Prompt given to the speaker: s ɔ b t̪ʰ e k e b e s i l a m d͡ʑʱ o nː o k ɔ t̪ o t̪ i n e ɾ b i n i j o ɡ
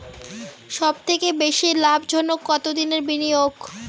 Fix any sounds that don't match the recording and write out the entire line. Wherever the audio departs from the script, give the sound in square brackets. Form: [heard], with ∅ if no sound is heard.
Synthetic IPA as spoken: [ʃ] ɔ b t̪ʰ e k e b e [ʃ] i l a [b] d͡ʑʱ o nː o k ɔ t̪ o [d̪] i n e ɾ b i n i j o ɡ